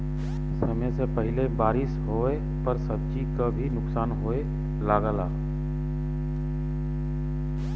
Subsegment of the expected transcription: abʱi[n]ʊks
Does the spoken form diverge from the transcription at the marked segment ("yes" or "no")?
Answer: no